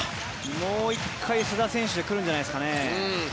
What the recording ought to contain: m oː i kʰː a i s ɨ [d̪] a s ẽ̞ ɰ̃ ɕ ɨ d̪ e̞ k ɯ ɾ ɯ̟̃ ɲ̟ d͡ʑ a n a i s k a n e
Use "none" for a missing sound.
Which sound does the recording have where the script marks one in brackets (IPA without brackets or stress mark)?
d̪